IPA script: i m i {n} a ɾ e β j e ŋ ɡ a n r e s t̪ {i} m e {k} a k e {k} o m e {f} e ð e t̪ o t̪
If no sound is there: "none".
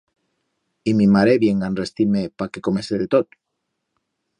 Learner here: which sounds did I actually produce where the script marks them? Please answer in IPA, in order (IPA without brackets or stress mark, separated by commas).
m, i, p, k, s